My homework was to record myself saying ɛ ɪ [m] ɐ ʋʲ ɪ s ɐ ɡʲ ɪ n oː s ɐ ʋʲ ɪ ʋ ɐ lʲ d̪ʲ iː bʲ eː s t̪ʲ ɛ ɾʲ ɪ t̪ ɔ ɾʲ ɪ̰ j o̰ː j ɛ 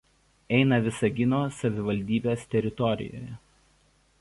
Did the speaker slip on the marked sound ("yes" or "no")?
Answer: yes